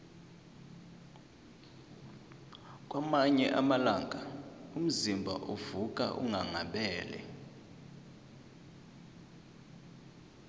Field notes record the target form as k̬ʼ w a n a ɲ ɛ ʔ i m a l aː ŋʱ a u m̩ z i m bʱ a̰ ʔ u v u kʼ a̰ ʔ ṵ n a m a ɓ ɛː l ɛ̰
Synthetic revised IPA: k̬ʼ w a m a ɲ ɛ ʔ a m a l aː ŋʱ a u m̩ z i m bʱ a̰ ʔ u v u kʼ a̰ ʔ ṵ ŋ a ŋ a ɓ ɛː l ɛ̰